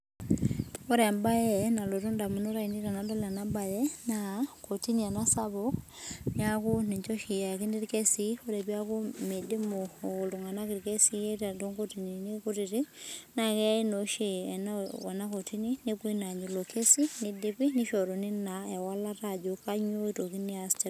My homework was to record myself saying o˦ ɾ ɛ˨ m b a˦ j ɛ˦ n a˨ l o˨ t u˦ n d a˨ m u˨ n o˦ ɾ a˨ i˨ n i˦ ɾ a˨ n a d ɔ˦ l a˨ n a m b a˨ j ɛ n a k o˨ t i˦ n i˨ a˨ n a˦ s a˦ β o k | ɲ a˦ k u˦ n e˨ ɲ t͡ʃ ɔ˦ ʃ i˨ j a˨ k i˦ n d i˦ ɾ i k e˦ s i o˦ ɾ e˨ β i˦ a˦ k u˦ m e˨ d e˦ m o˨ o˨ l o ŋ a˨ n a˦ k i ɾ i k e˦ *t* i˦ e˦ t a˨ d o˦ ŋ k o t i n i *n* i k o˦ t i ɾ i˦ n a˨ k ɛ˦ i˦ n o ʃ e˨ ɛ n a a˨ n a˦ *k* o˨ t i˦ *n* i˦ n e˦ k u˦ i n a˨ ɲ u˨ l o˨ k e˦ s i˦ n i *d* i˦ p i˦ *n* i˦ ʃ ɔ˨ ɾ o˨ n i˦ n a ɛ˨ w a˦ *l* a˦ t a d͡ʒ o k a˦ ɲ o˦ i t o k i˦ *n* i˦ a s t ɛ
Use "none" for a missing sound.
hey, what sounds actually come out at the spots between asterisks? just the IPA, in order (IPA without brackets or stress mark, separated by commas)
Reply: s, n, k, n, d, n, l, n